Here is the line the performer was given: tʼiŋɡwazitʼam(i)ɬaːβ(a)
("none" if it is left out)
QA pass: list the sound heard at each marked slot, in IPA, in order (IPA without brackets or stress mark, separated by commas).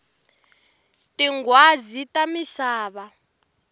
i, a